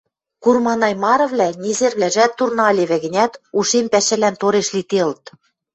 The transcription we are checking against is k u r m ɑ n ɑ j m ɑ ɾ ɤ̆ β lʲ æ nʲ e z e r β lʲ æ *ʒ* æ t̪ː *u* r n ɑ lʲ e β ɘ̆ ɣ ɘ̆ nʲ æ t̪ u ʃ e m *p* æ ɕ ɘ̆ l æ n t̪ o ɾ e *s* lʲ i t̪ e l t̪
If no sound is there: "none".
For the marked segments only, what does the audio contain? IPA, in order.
ʒ, u, p, ʃ

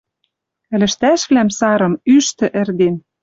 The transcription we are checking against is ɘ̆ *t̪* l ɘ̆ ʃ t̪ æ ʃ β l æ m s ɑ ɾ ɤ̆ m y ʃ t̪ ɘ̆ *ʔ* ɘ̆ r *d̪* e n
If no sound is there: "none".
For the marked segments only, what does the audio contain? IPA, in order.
none, ʔ, d̪

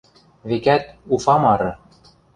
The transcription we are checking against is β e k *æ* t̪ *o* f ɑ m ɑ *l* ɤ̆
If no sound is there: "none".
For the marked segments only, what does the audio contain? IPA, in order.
æ, u, ɾ

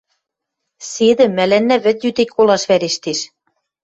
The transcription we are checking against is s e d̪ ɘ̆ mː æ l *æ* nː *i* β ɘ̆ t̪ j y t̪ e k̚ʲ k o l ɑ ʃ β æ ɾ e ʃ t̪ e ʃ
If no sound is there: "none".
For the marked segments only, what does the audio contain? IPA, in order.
æ, æ

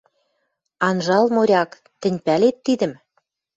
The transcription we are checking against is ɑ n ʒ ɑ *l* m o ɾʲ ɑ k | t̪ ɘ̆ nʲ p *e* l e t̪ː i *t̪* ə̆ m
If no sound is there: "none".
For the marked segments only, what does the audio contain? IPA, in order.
l, æ, d̪

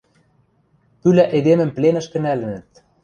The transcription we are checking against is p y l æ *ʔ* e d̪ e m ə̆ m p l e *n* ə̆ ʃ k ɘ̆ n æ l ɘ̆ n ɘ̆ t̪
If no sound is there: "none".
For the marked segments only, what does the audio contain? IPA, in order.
ʔ, n

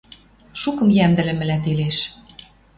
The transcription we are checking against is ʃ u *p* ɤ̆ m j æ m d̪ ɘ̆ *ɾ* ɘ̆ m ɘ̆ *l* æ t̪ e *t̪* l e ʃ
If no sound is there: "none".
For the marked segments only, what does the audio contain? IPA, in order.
k, l, l, none

